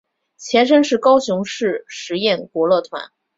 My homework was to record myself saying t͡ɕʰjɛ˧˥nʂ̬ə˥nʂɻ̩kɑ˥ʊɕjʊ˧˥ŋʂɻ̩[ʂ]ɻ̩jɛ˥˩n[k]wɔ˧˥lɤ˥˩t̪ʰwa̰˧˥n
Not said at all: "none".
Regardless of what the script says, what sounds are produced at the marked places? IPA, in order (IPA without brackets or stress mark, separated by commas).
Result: ʂ, k